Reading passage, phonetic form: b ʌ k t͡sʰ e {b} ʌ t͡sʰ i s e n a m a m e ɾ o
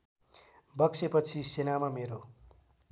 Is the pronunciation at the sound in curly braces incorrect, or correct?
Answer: incorrect